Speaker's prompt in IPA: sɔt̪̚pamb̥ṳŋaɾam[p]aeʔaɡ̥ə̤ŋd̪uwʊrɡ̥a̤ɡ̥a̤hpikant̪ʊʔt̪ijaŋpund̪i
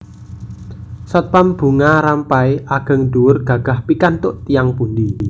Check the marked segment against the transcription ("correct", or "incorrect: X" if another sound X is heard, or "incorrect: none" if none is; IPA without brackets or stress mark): correct